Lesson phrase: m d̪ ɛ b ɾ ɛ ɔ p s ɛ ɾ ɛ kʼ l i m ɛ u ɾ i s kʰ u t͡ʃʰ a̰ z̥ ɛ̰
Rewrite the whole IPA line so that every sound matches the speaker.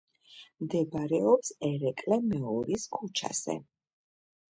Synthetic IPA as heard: m d̪ ɛ b ɾ ɛ ɔ p s ɛ ɾ ɛ kʼ l ɛ m ɛ ɔ ɾ i s kʰ u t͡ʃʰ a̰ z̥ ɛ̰